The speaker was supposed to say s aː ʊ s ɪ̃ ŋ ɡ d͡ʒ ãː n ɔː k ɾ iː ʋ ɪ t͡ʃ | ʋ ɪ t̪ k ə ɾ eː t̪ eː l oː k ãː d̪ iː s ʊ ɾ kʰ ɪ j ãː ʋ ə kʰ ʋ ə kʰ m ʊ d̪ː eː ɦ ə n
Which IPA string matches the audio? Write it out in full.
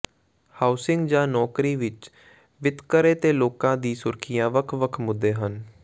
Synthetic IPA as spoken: h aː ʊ s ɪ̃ ŋ ɡ d͡ʒ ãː n ɔː k ɾ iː ʋ ɪ t͡ʃ | ʋ ɪ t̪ k ə ɾ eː t̪ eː l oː k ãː d̪ iː s ʊ ɾ kʰ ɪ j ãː ʋ ə kʰ ʋ ə kʰ m ʊ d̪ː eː ɦ ə n